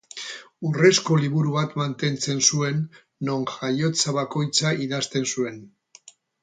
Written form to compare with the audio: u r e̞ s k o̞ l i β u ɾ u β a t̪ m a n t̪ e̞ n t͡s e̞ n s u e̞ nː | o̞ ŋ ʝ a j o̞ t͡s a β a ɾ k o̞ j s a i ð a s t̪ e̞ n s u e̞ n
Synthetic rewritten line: u r e̞ s k o̞ l i β u ɾ u β a t̪ m a n t̪ e̞ n t͡s e̞ n s u e̞ nː | o̞ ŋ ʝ a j o̞ t͡s a β a k o̞ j t͡s a i ð a s t̪ e̞ n s u e̞ n